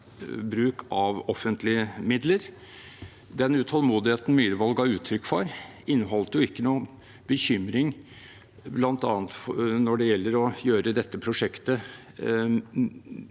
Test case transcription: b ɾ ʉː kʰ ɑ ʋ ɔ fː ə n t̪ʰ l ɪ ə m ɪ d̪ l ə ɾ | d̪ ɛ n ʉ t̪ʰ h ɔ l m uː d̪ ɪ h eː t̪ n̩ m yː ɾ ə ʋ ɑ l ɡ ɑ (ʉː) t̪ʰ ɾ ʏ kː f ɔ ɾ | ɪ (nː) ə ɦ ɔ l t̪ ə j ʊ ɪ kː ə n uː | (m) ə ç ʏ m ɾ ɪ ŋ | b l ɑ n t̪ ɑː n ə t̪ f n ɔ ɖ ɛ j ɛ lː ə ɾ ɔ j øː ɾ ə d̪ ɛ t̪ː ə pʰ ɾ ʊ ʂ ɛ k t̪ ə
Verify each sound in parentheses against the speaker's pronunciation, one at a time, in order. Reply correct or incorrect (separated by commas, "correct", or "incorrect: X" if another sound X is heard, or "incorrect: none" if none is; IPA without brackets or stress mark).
correct, correct, incorrect: b